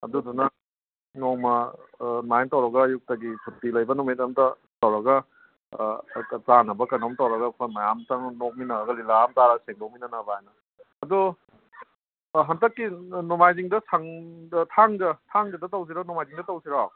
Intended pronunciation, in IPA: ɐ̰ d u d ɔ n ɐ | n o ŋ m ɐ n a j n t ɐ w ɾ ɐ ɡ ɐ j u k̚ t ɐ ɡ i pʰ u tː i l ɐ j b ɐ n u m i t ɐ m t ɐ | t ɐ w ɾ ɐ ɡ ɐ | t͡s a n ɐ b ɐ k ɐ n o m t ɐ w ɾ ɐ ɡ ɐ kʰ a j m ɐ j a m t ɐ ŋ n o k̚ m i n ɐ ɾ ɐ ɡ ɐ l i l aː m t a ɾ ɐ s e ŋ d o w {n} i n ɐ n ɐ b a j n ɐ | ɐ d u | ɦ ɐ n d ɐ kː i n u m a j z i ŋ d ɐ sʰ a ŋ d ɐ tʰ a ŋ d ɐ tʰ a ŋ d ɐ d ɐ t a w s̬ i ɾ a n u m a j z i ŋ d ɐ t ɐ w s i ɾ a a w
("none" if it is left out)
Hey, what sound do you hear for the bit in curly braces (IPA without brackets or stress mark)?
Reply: m